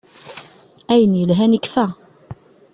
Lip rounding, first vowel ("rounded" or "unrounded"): unrounded